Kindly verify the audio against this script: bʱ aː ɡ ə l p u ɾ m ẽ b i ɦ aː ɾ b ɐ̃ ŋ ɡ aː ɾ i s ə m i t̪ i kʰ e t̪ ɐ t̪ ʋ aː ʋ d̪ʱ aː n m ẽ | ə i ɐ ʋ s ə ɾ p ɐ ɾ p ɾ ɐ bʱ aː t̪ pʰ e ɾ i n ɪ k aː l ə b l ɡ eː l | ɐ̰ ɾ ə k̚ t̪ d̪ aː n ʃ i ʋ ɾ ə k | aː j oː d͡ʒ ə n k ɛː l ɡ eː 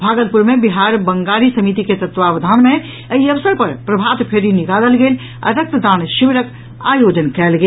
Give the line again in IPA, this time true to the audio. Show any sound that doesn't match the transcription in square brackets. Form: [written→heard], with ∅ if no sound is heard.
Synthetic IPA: bʱ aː ɡ ə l p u ɾ m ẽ b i ɦ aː ɾ b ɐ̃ ŋ ɡ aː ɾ i s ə m i t̪ i [kʰ→k] e t̪ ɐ t̪ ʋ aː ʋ d̪ʱ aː n m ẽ | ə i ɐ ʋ s ə ɾ p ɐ ɾ p ɾ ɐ bʱ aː t̪ pʰ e ɾ i n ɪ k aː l ə [b→∅] l ɡ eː l | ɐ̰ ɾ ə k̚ t̪ d̪ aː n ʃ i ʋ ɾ ə k | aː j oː d͡ʒ ə n k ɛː l ɡ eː